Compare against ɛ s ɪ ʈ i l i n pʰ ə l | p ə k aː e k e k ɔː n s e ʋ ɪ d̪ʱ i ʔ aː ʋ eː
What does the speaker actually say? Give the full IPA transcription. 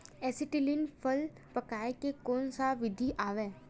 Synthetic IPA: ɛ s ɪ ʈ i l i n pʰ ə l | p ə k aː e k e k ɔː n s a ʋ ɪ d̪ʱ i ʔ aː ʋ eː